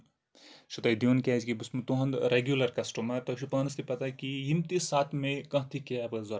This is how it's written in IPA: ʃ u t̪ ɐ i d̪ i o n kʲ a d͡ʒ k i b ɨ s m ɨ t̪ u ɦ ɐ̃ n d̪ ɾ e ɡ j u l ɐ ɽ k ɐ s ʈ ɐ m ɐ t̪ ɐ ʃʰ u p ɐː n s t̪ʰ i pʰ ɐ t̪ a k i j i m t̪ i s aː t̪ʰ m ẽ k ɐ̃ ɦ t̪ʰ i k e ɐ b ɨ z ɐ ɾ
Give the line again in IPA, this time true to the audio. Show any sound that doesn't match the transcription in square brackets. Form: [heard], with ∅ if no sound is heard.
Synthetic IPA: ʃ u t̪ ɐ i d̪ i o n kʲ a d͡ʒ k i b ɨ s m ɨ t̪ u ɦ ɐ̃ n d̪ ɾ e ɡ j u l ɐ [ɾ] k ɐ s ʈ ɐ m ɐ t̪ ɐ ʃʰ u p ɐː n s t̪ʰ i [p] ɐ t̪ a k i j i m t̪ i s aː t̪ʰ m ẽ k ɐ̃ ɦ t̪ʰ i k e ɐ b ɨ z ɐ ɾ

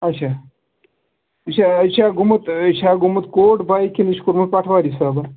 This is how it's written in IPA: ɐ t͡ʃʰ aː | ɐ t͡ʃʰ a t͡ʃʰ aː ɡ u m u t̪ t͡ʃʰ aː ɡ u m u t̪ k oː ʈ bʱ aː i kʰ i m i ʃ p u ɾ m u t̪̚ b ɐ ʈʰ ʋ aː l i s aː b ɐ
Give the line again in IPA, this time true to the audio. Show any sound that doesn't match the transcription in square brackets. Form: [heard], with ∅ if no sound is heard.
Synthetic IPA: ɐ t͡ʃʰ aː | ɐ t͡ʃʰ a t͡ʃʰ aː ɡ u m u t̪ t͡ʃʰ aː ɡ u m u t̪ k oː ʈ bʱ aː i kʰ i [n] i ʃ [k] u ɾ m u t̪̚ [p] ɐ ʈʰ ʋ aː [ɾ] i s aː b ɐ

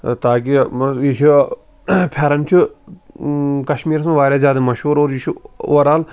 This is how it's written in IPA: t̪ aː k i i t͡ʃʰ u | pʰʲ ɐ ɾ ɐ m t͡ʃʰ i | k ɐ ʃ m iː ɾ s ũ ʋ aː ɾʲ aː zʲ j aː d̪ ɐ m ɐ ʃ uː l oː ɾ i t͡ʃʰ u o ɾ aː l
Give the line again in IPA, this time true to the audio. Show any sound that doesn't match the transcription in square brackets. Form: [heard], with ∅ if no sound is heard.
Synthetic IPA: t̪ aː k i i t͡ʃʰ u | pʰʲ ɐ ɾ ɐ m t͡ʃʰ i | k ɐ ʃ m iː ɾ s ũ ʋ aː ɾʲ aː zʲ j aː d̪ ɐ m ɐ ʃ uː [ɾ] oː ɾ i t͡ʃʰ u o ɾ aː l

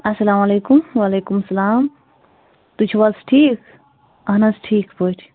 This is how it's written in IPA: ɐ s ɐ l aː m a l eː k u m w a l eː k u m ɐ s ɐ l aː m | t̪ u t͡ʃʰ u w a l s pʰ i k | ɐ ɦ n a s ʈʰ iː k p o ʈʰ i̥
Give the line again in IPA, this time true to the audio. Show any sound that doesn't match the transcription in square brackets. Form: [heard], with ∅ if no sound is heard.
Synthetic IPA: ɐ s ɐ l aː m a l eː k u m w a l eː k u m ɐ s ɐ l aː m | t̪ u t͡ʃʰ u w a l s [ʈʰ] i k | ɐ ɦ n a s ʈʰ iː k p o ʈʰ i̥

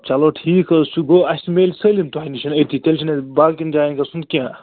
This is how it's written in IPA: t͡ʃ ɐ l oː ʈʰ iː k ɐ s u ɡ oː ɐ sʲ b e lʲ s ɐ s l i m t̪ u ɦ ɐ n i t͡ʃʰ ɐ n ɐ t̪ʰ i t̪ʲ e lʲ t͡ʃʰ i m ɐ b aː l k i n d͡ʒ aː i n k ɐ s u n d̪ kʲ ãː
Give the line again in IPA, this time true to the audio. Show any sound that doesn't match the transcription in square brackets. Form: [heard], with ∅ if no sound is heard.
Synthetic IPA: t͡ʃ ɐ l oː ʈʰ iː k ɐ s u ɡ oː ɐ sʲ [m] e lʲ s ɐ [∅] l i m t̪ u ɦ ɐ n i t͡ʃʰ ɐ n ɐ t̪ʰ i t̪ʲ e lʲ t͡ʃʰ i [n] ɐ b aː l k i n d͡ʒ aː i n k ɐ s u n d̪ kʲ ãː

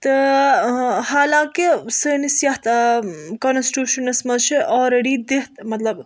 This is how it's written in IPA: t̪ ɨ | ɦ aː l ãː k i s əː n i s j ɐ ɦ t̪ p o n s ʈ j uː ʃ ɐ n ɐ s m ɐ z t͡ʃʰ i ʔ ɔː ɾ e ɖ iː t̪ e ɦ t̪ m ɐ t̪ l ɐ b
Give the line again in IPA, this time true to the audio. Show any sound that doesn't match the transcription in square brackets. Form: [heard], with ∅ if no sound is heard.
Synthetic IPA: t̪ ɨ | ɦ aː l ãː k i s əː n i s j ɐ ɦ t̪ [k] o n s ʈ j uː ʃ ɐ n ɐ s m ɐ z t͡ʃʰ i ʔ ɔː ɾ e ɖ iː [d̪] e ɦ t̪ m ɐ t̪ l ɐ b

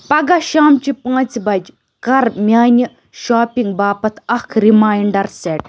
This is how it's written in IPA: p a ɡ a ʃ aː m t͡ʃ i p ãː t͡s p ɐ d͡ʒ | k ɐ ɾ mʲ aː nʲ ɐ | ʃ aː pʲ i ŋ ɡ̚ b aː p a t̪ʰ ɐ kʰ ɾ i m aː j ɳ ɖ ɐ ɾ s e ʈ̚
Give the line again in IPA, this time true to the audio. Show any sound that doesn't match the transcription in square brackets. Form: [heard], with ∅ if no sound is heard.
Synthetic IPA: p [ɐ] ɡ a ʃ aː m t͡ʃ i p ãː t͡s [b] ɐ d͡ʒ | k ɐ ɾ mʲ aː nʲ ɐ | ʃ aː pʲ i ŋ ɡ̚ b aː p [ɐ] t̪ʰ ɐ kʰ ɾ i m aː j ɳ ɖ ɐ ɾ s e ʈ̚

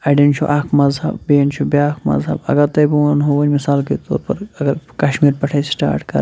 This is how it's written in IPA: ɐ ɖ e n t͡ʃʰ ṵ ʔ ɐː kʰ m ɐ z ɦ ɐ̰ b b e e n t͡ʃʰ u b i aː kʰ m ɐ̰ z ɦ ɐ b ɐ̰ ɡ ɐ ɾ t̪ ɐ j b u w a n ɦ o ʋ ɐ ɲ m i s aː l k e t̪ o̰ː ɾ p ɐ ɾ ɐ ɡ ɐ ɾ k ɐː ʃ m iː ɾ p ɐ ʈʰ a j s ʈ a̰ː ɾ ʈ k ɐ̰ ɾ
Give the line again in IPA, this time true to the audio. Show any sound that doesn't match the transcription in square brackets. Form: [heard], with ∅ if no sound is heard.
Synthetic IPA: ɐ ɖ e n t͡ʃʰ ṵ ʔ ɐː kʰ m ɐ z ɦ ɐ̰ b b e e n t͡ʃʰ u b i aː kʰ m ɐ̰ z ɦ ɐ b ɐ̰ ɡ ɐ ɾ t̪ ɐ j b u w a n ɦ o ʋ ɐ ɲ m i s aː l k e t̪ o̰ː ɾ p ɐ ɾ ɐ ɡ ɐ ɾ k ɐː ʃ m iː ɾ p ɐ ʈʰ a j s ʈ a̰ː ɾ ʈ k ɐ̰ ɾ

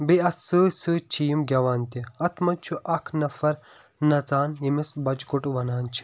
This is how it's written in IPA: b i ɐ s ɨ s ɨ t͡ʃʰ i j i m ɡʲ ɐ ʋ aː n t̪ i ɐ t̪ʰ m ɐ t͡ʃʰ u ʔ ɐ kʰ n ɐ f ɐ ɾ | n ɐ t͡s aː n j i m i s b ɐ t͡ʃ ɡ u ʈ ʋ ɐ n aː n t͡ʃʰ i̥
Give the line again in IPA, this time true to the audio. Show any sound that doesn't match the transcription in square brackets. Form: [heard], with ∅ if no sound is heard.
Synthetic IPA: b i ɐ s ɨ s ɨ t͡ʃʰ i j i m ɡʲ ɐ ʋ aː n t̪ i ɐ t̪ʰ m ɐ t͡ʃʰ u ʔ ɐ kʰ n ɐ f ɐ ɾ | n ɐ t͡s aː n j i m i s b ɐ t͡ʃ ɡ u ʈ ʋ ɐ n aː n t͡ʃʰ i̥

